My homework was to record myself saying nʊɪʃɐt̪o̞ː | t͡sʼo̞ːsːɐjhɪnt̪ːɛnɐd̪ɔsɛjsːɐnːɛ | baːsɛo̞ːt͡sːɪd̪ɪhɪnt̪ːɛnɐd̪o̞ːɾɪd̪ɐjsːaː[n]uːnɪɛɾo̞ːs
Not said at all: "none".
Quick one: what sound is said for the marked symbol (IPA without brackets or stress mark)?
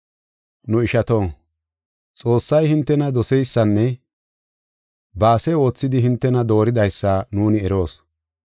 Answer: n